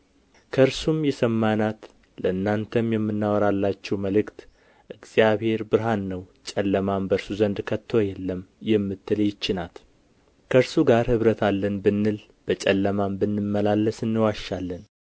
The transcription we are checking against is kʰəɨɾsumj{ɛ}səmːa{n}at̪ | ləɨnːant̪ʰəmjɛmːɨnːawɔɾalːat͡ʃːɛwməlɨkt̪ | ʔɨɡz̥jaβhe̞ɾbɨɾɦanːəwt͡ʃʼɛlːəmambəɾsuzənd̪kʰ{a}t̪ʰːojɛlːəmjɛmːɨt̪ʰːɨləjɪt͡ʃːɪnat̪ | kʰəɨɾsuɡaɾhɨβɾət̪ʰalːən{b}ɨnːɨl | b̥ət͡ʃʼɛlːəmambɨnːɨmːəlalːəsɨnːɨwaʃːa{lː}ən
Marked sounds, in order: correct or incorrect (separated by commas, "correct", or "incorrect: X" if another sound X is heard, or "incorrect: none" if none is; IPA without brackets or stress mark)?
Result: correct, correct, incorrect: ə, correct, correct